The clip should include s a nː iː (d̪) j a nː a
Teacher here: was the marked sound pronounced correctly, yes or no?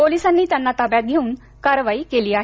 no